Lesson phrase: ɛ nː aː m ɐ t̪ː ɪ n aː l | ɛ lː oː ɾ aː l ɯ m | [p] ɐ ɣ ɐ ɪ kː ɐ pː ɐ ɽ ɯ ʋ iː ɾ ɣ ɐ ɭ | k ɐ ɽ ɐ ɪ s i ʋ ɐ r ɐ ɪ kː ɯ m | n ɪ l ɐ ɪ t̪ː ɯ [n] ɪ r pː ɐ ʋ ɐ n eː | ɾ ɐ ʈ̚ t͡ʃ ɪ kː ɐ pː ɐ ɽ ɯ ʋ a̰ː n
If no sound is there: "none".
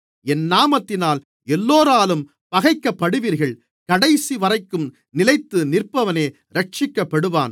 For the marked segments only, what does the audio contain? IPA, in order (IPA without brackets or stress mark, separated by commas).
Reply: p, n